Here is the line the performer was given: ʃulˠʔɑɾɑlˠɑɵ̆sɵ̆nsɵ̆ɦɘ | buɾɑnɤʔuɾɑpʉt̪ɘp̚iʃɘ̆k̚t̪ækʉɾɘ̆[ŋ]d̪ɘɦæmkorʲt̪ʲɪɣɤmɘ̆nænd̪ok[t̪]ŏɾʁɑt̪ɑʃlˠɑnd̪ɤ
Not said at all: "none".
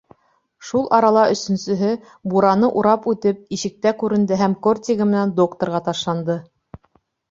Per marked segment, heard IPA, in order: n, t̪

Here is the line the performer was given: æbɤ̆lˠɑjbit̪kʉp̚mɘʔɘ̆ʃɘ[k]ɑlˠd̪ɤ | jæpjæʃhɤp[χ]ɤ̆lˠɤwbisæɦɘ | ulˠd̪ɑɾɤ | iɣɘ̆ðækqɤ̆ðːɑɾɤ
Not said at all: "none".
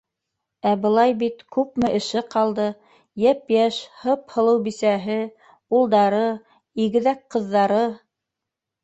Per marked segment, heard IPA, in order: q, h

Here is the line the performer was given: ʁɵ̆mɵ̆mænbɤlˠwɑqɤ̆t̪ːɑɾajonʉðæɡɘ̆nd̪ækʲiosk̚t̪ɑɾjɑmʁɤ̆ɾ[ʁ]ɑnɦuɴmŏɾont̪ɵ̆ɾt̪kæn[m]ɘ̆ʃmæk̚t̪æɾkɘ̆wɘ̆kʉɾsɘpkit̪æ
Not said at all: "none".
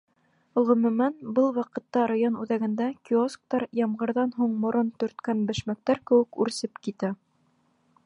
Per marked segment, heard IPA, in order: ð, b

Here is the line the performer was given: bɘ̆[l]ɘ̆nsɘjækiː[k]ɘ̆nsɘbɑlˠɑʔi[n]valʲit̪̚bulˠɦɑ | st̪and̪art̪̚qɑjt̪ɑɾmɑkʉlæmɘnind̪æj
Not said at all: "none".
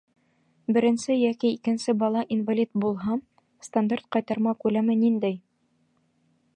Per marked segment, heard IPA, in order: ɾ, k, n

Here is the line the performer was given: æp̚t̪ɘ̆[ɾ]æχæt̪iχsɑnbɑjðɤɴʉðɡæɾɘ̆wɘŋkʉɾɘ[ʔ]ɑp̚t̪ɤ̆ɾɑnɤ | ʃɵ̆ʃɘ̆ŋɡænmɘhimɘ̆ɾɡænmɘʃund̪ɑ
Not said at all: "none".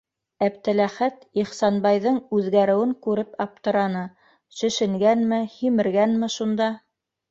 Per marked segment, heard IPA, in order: l, p

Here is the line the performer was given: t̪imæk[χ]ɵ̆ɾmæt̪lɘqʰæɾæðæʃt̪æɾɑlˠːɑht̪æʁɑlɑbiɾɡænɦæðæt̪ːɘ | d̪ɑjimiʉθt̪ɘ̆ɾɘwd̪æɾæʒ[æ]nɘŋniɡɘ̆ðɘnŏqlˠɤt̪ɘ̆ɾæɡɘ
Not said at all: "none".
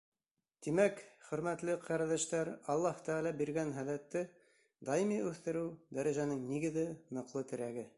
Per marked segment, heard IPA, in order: χ, æ

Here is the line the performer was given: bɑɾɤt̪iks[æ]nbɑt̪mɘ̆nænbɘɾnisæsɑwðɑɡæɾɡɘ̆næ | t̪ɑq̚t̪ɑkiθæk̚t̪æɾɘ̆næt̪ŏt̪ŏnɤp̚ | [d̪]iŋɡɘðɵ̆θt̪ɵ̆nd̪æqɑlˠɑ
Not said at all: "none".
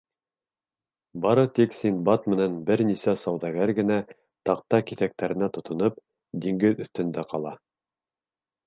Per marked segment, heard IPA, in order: i, d̪

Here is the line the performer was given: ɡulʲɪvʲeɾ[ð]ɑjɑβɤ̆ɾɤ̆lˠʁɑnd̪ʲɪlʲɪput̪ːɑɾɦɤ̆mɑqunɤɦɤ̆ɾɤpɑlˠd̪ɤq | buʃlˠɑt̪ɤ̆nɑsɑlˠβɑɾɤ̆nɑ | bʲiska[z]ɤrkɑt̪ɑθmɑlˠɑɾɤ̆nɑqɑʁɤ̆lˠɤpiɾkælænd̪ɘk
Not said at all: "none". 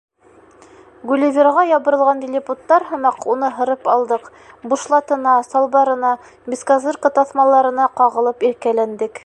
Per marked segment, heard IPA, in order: ʁ, z

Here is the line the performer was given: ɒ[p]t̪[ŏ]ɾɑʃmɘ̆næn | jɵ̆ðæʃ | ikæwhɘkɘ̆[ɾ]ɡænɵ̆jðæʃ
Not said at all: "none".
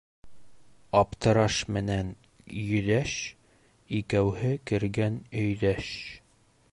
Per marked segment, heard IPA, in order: p, ɤ̆, ɾ

